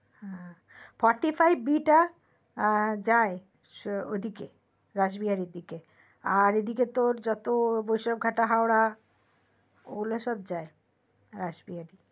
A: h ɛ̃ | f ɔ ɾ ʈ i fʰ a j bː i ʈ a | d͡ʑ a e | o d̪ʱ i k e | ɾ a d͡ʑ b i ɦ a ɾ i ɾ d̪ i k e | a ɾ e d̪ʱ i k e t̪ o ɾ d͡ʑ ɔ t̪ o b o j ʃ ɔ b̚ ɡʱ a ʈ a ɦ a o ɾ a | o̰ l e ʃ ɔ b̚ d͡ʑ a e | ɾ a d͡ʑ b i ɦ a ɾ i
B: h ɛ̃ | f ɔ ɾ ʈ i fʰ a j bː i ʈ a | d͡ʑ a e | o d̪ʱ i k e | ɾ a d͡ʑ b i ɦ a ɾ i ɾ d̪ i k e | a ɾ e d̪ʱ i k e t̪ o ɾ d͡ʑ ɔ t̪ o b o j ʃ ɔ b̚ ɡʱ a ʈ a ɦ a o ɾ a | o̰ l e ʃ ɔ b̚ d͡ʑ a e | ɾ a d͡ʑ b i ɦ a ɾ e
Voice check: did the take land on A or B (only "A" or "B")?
A